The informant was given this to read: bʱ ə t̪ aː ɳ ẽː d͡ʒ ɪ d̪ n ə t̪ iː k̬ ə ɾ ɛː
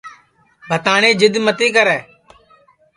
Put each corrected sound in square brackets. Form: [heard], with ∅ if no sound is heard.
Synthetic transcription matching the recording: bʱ ə t̪ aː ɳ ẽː d͡ʒ ɪ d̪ [m] ə t̪ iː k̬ ə ɾ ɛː